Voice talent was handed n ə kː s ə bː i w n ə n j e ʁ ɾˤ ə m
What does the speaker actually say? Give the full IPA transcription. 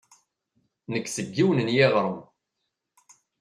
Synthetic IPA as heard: n ə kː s ə ɡː i w n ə n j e ʁ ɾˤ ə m